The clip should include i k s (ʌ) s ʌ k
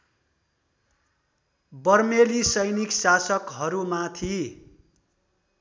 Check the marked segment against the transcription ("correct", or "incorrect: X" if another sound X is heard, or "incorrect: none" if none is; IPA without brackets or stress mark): incorrect: a